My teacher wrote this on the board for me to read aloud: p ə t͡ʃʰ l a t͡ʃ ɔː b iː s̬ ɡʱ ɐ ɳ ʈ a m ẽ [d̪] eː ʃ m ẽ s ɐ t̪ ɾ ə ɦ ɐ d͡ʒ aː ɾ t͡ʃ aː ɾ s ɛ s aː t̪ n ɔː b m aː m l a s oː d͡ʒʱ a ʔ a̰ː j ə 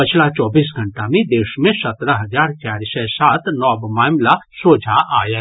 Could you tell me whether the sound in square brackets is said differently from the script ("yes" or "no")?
no